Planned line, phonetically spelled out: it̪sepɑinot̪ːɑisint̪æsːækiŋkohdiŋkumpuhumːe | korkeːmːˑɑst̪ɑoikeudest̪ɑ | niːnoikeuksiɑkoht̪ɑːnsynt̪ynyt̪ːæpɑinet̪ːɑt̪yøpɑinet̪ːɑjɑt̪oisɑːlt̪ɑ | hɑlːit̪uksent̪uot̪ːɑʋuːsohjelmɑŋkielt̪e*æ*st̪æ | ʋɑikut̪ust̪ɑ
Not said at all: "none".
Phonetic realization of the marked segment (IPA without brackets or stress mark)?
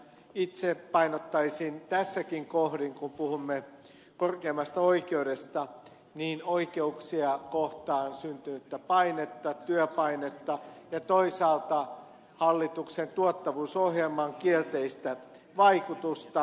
i